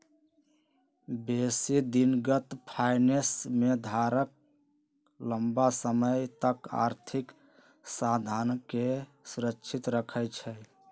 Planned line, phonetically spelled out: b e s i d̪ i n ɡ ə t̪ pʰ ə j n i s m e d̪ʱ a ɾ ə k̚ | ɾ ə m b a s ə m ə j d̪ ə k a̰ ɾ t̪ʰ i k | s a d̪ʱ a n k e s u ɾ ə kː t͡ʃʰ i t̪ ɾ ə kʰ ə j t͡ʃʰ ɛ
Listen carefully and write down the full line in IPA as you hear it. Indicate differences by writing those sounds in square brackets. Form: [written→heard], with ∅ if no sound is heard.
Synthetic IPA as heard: b e s i d̪ i n ɡ ə t̪ pʰ [ə→a] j n [i→e] s m e d̪ʱ a ɾ ə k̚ | [ɾ→l] ə m b a s ə m ə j [d̪→t̪] ə k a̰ ɾ t̪ʰ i k | s a d̪ʱ a n k e s u ɾ ə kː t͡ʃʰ i t̪ ɾ ə kʰ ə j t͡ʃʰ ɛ